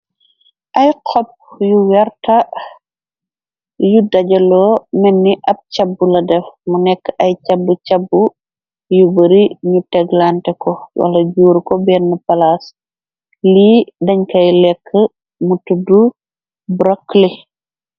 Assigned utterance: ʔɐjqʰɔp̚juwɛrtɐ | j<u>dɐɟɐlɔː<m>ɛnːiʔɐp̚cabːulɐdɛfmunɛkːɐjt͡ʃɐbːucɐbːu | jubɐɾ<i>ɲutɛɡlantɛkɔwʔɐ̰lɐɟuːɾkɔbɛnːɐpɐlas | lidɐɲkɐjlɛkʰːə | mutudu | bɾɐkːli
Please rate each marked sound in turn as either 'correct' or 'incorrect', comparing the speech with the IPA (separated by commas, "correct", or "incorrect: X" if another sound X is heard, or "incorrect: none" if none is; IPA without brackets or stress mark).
correct, correct, correct